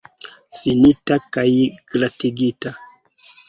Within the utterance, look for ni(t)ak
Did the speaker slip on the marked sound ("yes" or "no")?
no